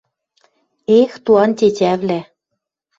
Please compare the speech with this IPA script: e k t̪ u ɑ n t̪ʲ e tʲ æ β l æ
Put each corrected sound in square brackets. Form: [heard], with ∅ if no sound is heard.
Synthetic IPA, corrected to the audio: e [x] t̪ u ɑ n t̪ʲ e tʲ æ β l æ